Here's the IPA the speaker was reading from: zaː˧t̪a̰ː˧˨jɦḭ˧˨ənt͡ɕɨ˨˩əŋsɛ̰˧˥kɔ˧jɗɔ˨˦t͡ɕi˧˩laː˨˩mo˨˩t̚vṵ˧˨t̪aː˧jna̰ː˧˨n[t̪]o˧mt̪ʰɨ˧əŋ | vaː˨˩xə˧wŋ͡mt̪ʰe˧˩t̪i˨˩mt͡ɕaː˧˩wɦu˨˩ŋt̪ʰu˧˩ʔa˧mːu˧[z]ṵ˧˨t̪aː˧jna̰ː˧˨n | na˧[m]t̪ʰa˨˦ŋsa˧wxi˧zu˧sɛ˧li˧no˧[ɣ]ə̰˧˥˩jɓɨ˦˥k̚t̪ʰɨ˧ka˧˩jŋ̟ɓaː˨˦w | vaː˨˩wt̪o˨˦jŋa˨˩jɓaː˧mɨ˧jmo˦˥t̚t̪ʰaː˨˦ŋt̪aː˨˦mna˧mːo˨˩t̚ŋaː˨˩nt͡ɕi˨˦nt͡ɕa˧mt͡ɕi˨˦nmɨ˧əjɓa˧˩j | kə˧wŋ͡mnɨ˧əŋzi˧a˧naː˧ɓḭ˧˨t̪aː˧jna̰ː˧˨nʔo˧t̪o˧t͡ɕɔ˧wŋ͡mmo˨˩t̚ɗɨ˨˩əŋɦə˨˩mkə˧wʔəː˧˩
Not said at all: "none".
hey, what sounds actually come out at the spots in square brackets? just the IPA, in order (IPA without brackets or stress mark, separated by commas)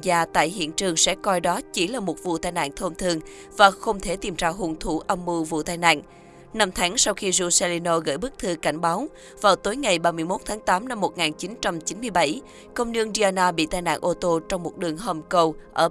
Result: t̪ʰ, v, m, ɣ